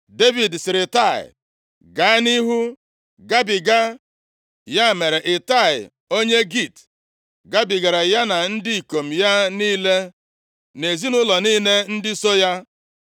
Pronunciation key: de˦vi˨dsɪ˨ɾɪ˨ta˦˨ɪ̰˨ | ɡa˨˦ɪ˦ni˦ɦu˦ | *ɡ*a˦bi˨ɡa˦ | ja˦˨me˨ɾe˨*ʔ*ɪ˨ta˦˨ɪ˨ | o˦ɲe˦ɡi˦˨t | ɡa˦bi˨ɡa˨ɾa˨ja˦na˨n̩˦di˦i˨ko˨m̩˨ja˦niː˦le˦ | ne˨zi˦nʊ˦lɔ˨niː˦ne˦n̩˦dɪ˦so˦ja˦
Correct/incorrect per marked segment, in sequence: correct, correct

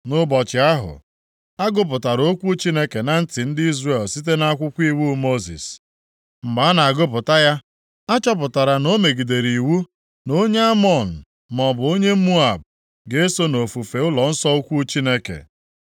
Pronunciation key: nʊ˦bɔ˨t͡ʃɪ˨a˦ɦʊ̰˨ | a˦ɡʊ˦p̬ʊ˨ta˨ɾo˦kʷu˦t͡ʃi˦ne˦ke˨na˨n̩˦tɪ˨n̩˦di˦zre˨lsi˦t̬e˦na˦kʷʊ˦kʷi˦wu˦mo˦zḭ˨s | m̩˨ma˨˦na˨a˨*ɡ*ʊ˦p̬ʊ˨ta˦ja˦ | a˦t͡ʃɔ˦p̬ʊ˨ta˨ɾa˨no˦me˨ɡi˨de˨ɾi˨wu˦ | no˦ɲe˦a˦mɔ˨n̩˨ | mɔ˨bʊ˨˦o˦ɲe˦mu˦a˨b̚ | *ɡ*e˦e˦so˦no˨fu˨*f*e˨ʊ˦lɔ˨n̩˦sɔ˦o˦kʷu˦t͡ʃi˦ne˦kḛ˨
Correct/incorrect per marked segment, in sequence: correct, correct, correct

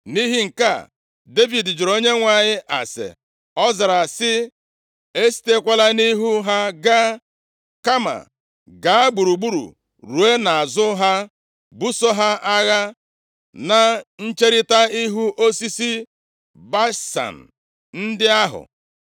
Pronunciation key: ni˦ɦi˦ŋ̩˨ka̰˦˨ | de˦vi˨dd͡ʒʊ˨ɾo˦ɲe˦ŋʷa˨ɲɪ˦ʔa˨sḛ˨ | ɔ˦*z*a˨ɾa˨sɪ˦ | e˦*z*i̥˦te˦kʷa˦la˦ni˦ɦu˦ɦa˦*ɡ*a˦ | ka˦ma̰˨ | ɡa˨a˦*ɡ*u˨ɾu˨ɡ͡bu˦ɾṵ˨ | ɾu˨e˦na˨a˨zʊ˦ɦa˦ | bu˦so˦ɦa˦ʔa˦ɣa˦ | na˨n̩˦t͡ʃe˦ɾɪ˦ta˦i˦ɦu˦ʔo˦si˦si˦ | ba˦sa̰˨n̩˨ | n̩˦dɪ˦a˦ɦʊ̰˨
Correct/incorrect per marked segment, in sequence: correct, incorrect: s, correct, incorrect: ɡ͡b

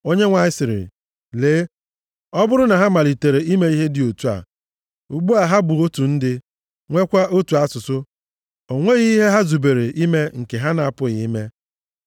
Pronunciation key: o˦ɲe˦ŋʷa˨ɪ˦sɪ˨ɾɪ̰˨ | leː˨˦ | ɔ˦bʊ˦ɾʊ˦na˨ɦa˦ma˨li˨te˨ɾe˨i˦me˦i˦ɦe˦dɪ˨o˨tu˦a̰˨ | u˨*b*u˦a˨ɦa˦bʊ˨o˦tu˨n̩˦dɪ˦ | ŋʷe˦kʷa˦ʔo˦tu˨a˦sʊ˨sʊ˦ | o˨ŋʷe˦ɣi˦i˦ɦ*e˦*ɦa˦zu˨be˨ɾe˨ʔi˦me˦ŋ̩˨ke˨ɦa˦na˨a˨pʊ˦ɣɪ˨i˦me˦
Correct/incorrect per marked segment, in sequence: incorrect: ɡ͡b, correct

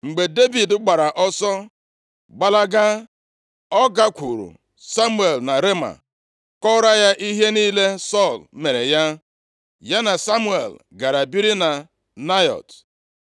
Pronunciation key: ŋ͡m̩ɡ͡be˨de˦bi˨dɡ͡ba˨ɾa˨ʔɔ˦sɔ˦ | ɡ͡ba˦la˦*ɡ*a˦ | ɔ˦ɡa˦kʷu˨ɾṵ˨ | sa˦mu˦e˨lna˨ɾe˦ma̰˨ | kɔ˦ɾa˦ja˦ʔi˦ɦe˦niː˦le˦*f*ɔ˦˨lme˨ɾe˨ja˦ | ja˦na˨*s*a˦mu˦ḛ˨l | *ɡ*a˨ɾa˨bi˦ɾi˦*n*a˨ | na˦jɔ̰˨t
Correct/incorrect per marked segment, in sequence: correct, incorrect: s, correct, correct, correct

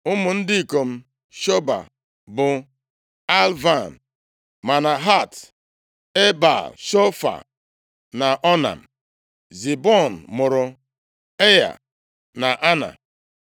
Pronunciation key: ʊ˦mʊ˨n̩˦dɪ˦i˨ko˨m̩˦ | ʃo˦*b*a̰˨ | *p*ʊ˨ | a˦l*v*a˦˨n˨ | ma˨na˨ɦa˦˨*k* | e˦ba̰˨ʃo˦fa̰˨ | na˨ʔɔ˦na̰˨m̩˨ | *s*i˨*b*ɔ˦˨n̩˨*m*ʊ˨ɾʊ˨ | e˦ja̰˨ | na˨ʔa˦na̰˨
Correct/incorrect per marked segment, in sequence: correct, incorrect: b, correct, incorrect: t, incorrect: z, correct, correct

